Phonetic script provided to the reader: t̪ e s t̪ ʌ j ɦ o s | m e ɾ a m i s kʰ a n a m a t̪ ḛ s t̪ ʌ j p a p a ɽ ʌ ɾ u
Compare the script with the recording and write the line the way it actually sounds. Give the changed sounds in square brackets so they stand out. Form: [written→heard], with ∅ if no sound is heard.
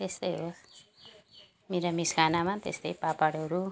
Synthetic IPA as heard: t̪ e s t̪ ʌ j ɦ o s | m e ɾ a m i s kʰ a n a m a t̪ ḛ s t̪ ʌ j p a p a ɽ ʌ ɾ u